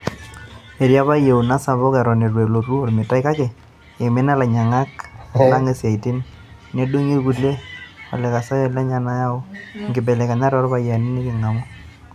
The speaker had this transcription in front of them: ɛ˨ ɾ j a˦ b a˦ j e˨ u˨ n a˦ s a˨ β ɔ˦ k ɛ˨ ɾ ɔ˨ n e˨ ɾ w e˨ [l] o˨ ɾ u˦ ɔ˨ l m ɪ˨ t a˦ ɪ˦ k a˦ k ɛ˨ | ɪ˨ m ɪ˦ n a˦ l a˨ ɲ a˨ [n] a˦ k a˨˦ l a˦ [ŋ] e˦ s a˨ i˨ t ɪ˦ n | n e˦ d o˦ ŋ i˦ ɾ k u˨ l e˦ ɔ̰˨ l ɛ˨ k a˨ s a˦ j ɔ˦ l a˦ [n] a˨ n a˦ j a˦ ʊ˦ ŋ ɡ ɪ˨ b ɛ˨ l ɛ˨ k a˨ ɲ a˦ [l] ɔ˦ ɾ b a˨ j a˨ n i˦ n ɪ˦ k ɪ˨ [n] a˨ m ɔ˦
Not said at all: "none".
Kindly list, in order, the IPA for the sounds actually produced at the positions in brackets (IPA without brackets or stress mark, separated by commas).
l, ŋ, ŋ, ɲ, ɾ, ŋ